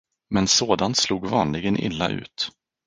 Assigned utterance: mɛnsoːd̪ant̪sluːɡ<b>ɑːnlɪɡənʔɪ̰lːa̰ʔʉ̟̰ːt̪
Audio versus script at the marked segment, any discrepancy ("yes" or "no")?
yes